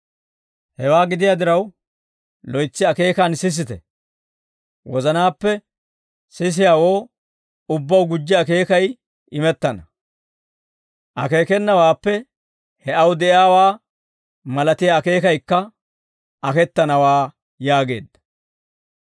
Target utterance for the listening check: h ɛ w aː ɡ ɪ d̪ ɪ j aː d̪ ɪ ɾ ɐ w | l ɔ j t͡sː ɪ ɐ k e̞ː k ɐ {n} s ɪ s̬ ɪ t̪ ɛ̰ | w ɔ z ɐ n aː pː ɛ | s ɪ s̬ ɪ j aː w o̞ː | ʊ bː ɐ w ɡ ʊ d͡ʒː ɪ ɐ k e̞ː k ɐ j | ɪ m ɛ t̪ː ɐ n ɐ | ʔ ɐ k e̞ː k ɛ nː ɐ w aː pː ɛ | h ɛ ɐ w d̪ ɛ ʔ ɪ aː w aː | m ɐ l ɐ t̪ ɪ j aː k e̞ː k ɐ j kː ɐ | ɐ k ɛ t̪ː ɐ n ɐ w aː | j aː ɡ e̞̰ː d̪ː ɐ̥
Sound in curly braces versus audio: correct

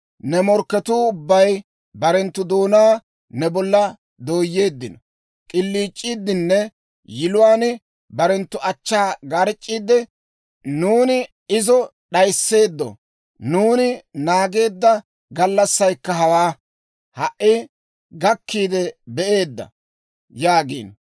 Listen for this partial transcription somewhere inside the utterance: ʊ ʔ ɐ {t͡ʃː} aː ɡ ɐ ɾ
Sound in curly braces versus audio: correct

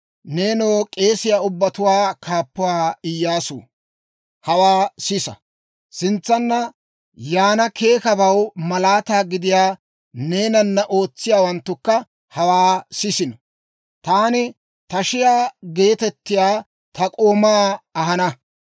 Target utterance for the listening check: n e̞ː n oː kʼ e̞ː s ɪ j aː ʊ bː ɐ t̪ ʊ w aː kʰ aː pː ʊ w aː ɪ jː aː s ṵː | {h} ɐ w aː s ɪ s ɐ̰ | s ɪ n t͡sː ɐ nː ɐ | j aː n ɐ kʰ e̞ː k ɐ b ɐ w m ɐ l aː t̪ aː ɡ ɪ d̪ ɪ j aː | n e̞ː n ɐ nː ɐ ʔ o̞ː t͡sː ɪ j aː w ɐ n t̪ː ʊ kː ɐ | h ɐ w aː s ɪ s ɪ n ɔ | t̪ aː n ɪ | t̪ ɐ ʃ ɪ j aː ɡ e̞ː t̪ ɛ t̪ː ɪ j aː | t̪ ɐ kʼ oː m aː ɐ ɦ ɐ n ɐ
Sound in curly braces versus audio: correct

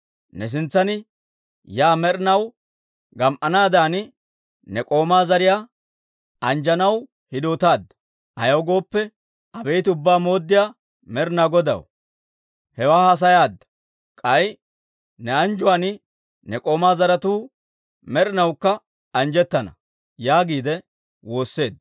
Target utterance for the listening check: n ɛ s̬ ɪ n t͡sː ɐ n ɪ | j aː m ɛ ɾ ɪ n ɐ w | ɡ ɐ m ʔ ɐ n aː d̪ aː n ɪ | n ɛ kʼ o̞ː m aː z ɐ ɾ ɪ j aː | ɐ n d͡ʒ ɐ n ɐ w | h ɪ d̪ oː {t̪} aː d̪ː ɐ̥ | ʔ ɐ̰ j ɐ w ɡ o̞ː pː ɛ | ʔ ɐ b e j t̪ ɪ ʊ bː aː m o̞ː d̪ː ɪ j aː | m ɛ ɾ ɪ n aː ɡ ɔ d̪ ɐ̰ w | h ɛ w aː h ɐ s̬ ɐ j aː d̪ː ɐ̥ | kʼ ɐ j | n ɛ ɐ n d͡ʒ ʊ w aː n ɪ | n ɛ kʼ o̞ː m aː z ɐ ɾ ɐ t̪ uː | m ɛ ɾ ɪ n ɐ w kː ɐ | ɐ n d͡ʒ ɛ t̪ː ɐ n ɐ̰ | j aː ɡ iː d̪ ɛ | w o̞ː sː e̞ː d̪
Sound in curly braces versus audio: correct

